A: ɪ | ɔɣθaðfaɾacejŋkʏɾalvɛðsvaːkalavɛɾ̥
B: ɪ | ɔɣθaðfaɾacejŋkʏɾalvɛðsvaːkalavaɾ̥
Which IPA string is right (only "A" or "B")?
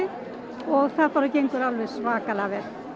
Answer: A